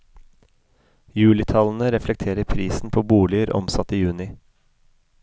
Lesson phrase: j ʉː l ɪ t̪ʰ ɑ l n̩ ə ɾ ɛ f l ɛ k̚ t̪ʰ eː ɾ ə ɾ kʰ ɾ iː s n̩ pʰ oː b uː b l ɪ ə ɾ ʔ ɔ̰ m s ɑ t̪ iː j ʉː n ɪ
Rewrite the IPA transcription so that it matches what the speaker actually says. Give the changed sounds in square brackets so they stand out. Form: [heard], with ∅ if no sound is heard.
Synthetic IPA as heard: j ʉː l ɪ t̪ʰ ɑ l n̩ ə ɾ ɛ f l ɛ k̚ t̪ʰ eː ɾ ə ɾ [pʰ] ɾ iː s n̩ pʰ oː b uː [∅] l ɪ ə ɾ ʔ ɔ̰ m s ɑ t̪ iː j ʉː n ɪ